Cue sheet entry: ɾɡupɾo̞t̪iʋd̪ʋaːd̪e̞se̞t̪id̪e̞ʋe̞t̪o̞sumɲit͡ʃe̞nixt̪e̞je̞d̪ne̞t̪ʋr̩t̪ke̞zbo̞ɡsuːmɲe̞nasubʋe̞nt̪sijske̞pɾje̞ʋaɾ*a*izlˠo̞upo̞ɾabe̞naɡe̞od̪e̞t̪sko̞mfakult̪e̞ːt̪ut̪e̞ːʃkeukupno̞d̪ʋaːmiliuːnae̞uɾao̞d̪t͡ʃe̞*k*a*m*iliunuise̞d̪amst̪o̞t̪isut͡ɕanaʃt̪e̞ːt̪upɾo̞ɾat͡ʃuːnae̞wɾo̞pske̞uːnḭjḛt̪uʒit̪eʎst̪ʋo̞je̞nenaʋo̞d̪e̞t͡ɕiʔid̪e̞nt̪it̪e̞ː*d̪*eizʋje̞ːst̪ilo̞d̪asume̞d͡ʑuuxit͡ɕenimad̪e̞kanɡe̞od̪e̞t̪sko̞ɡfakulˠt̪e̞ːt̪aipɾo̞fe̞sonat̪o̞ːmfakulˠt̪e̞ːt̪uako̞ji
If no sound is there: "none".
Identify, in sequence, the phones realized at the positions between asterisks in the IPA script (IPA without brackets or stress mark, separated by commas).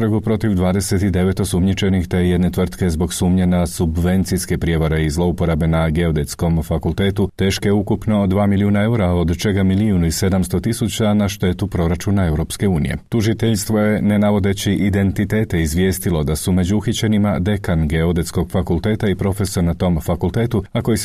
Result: e, ɡ, m, t̪